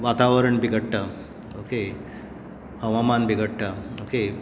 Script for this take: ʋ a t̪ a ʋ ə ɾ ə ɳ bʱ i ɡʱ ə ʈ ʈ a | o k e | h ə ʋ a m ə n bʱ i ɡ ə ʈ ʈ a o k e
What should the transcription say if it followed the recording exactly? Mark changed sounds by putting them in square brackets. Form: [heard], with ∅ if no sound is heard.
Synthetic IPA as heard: ʋ a t̪ a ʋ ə ɾ ə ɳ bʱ i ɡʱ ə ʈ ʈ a | o k e | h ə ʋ a m [a] n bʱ i ɡ ə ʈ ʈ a o k e